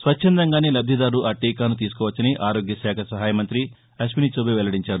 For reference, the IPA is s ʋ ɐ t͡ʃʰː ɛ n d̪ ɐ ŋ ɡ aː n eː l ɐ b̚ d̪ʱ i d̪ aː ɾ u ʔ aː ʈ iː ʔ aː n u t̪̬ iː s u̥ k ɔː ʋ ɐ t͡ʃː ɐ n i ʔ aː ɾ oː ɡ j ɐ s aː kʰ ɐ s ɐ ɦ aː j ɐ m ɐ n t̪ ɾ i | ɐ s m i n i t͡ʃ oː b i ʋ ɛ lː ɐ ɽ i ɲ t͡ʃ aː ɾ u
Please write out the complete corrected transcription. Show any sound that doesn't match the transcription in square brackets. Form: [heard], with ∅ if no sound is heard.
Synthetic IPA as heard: s ʋ ɐ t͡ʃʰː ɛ n d̪ ɐ ŋ ɡ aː n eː l ɐ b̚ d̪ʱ i d̪ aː ɾ u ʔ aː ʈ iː [k] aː n u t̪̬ iː s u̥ k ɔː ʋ ɐ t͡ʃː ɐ n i ʔ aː ɾ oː ɡ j ɐ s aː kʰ ɐ s ɐ ɦ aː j ɐ m ɐ n t̪ ɾ i | ɐ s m i n i t͡ʃ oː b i ʋ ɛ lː ɐ ɽ i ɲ t͡ʃ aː ɾ u